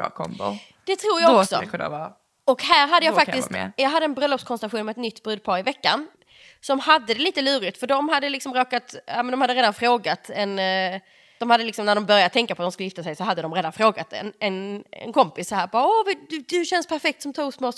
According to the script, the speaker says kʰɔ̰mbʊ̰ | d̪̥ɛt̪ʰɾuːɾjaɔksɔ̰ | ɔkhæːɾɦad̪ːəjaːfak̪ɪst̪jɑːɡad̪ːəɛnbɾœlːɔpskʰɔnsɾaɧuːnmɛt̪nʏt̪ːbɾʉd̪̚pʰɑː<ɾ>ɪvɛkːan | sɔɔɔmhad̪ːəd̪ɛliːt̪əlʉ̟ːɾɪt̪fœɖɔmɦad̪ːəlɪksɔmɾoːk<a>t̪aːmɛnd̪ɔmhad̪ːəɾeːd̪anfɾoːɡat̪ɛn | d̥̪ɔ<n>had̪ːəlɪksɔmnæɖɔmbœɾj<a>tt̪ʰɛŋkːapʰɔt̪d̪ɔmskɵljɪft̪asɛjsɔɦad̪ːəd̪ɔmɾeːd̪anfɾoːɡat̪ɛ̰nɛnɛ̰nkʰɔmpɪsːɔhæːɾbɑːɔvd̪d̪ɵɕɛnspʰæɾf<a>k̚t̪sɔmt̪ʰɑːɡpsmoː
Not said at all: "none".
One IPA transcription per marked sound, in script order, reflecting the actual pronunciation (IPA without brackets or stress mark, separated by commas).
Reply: ɾ, a, m, a, ɛ